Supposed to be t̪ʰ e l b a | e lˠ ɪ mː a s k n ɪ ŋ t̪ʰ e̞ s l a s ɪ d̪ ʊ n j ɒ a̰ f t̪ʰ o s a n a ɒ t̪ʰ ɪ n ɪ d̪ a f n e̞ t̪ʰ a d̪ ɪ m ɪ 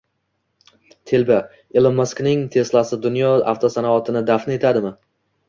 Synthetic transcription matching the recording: t̪ʰ e l b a | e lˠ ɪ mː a s k n ɪ ŋ t̪ʰ e̞ s l a s ɪ d̪ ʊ n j ɒ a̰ f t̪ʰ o s a n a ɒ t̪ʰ ɪ n ɪ d̪ a f n e̞ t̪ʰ a d̪ ɪ m ɪ